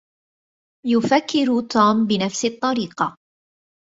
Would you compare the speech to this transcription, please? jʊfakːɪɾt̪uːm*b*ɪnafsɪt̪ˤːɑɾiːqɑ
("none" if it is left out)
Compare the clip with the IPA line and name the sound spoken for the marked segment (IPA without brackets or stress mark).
b